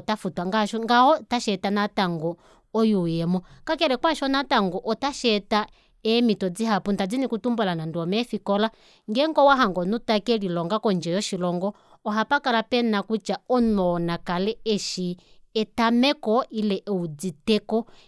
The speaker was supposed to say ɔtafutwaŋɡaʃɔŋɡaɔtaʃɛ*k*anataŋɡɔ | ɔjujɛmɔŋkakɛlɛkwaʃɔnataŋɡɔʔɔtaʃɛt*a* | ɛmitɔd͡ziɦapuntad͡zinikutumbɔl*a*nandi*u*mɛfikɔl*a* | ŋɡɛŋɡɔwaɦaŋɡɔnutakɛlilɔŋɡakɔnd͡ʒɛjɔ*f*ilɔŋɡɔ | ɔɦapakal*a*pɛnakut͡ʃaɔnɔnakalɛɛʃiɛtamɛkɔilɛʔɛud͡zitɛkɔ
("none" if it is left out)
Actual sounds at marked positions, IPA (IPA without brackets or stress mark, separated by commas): t, a, a, ɔ, a, ʃ, a